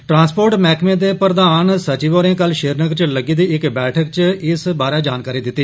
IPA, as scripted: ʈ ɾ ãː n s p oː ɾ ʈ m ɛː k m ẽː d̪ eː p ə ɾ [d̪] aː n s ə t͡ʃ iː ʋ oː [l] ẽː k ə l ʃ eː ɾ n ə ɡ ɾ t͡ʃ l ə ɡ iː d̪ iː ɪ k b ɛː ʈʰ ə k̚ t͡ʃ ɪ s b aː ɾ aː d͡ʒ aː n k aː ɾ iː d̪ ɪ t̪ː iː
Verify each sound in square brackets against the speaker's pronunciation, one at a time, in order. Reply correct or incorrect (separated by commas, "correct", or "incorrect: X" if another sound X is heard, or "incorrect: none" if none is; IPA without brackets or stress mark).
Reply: correct, incorrect: ɾ